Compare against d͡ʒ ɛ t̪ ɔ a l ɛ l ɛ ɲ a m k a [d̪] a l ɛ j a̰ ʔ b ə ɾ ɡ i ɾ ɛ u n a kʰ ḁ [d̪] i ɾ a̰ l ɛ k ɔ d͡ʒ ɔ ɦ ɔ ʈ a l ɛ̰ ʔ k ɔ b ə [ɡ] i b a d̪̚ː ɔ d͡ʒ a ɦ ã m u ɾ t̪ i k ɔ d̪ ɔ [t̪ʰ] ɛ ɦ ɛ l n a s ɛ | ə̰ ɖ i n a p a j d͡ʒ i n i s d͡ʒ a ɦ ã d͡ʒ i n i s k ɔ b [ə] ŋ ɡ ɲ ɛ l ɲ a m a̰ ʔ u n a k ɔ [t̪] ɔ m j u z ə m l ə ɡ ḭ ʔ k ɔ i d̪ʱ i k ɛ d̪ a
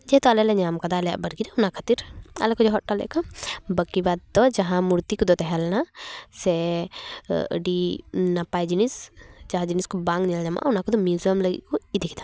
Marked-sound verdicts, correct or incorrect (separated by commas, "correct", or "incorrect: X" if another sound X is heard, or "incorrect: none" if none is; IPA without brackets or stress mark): correct, incorrect: t̪, incorrect: k, incorrect: t̪, incorrect: a, incorrect: d̪